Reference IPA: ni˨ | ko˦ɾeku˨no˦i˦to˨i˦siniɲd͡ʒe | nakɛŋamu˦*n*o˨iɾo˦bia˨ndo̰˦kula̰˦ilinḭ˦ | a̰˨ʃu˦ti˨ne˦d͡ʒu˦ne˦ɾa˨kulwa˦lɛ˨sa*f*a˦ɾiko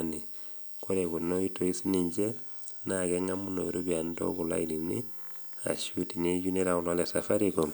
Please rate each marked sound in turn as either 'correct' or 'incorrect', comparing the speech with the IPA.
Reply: correct, correct

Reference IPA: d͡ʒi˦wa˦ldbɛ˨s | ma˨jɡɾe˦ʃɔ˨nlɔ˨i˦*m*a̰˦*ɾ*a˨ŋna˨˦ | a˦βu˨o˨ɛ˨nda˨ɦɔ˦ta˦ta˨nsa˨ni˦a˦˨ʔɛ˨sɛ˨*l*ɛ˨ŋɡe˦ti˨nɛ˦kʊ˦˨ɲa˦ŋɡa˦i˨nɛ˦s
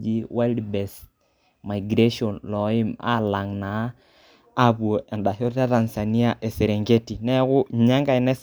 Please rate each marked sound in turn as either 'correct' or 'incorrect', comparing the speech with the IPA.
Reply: correct, incorrect, incorrect

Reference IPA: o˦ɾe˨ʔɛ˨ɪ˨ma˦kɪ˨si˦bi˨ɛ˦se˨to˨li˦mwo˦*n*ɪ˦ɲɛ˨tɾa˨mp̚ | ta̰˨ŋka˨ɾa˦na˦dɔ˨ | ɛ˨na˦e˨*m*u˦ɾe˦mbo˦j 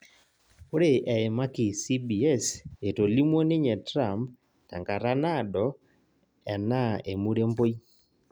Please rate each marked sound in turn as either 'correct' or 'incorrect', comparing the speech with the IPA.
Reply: correct, correct

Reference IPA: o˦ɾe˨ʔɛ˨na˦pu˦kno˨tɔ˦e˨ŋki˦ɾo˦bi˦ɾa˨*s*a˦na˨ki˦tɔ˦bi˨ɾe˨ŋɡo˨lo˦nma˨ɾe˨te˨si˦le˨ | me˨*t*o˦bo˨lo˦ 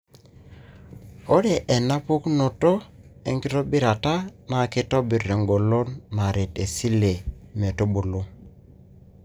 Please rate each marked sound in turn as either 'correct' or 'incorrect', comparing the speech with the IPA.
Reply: incorrect, correct

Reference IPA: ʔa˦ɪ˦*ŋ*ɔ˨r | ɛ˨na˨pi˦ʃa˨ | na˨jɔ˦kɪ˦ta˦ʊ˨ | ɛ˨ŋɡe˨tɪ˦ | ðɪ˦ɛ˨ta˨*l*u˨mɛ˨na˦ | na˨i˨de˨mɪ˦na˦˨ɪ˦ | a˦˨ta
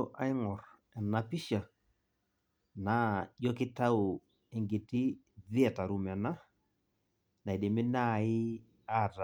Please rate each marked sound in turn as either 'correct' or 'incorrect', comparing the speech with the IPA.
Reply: correct, incorrect

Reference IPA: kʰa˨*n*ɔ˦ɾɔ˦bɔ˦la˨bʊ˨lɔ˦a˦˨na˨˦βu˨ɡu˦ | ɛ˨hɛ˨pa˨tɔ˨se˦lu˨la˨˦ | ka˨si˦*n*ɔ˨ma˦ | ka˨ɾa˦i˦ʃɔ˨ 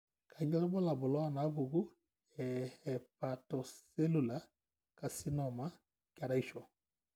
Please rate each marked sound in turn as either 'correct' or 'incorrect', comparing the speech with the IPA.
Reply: incorrect, correct

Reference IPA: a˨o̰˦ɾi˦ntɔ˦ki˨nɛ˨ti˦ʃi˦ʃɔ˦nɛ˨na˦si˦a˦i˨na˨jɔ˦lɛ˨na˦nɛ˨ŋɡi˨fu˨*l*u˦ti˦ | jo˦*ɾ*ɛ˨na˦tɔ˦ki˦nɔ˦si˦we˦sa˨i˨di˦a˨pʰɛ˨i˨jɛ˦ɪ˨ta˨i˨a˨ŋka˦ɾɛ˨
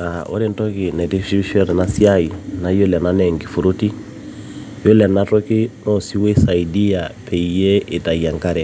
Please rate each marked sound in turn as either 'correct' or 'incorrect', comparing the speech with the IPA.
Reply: incorrect, incorrect

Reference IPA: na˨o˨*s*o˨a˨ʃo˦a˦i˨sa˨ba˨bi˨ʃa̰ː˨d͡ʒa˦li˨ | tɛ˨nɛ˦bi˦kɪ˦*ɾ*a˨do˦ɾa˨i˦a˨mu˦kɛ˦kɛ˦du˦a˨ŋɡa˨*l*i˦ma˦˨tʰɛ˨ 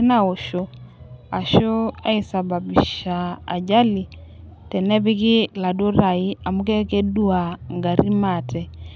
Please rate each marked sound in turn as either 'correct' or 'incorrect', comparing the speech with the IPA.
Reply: incorrect, incorrect, incorrect

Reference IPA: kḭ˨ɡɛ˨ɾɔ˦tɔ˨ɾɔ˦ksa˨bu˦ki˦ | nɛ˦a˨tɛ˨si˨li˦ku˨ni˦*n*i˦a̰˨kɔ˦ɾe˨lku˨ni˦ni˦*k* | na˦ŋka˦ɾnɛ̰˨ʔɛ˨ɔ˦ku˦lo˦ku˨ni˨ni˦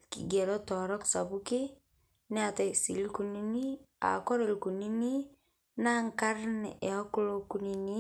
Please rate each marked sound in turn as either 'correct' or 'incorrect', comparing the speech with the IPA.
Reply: correct, incorrect

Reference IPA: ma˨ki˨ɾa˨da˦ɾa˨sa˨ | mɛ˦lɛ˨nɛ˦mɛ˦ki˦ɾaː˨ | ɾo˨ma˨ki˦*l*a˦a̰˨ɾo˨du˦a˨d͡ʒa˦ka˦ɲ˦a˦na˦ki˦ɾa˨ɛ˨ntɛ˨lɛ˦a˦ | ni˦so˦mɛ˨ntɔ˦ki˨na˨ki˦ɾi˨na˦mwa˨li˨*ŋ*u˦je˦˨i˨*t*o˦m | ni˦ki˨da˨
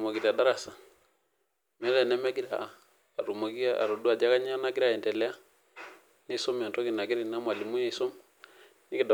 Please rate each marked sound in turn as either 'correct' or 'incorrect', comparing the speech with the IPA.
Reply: incorrect, incorrect, incorrect

